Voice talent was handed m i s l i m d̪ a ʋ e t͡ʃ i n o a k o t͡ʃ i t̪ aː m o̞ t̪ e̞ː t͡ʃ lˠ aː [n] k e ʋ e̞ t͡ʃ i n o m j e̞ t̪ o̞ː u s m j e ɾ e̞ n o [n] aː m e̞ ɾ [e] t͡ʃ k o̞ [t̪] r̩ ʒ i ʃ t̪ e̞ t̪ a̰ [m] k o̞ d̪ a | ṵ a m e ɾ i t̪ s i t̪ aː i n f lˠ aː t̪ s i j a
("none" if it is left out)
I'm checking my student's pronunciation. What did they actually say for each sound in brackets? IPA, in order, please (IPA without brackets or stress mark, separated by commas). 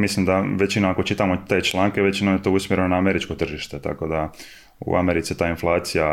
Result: ŋ, n, i, t̪, none